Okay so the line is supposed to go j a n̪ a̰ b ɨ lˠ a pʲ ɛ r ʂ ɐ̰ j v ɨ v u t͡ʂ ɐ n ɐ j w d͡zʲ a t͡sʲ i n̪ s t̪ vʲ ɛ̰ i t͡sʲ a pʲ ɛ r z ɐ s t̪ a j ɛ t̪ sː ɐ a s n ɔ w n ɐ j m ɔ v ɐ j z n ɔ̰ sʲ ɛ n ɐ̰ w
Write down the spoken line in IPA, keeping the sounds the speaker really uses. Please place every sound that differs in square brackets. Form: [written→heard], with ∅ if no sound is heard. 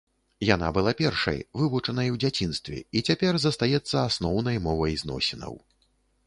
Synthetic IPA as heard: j a n̪ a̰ b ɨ lˠ a pʲ ɛ r ʂ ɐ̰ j v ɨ v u t͡ʂ ɐ n ɐ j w d͡zʲ a t͡sʲ i n̪ s t̪ vʲ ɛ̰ i t͡sʲ a pʲ ɛ r z ɐ s t̪ a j ɛ t̪ sː ɐ a s n ɔ w n ɐ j m ɔ v ɐ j z n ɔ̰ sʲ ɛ n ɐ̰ w